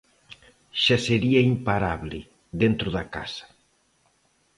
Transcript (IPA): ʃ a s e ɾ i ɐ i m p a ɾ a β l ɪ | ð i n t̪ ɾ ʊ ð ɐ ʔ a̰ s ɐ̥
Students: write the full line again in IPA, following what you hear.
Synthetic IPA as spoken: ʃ a s e ɾ i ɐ i m p a ɾ a β l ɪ | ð e n t̪ ɾ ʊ ð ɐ k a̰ s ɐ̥